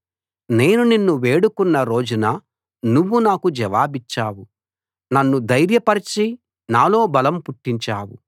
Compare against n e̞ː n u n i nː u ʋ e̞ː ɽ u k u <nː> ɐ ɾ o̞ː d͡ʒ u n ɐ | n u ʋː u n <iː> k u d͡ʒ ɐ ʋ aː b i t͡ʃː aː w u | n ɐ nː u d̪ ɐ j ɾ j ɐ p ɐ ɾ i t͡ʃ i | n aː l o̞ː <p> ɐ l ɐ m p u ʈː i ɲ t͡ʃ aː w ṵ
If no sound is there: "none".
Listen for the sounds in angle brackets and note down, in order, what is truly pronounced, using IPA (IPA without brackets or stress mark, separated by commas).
nː, aː, b